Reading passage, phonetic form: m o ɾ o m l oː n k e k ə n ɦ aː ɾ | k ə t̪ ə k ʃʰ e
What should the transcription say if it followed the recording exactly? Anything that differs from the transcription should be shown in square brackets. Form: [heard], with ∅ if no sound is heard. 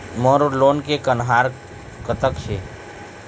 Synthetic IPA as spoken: m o ɾ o [∅] l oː n k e k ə n ɦ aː ɾ | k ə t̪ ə k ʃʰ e